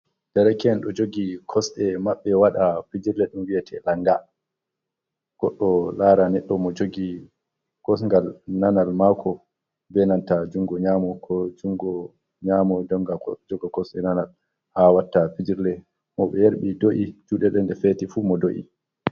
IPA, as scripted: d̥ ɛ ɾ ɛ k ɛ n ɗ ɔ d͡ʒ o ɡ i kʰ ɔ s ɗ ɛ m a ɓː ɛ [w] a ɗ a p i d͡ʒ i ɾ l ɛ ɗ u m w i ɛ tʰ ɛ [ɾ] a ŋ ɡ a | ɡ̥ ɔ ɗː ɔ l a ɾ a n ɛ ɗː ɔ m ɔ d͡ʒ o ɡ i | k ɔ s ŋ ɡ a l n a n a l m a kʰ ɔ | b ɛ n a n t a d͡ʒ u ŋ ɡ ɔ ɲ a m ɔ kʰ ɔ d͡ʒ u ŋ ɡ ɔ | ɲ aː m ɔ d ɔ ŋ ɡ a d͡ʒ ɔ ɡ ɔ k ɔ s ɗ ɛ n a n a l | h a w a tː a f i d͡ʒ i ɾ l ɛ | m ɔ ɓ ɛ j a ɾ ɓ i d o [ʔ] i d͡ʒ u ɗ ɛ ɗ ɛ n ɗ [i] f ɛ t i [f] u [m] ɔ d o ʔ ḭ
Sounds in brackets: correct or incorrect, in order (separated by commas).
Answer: correct, incorrect, correct, incorrect, correct, correct